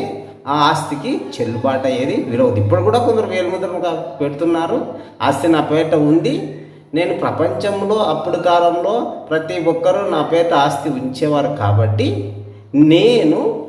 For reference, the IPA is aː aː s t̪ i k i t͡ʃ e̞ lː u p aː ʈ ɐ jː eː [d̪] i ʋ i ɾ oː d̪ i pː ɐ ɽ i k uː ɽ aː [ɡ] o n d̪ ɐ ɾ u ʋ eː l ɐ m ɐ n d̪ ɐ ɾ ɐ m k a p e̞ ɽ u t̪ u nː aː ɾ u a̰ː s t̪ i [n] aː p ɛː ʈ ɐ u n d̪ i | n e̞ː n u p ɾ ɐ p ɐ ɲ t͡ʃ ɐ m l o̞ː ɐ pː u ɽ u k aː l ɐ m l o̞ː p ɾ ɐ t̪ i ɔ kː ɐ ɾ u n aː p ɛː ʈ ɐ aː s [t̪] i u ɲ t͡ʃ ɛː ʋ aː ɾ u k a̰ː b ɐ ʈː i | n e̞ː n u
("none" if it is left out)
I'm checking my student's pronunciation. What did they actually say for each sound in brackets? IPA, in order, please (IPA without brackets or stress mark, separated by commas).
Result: d̪, k, n, t̪